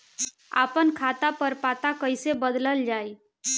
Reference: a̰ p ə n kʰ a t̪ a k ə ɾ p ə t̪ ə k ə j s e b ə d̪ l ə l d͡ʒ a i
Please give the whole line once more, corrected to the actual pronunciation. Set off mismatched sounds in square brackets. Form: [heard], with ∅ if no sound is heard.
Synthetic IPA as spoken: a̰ p ə n kʰ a t̪ a [p] ə ɾ p [a] t̪ [a] k ə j s e b ə d̪ l ə l d͡ʒ a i